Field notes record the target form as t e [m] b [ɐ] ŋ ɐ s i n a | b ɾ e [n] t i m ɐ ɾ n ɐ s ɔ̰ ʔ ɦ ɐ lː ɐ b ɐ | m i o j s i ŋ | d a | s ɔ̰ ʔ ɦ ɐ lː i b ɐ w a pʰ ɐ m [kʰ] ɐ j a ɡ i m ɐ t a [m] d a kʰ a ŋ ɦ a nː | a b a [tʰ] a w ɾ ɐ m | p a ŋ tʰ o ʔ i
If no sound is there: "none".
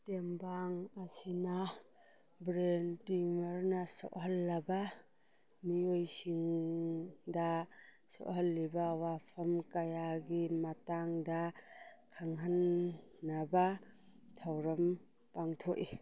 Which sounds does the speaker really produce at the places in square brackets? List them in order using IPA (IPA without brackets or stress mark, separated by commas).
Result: m, a, n, k, ŋ, tʰ